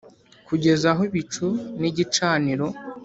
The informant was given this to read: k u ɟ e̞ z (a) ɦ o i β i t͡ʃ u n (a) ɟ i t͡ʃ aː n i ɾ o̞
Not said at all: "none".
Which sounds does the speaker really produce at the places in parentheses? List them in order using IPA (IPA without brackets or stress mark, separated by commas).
a, i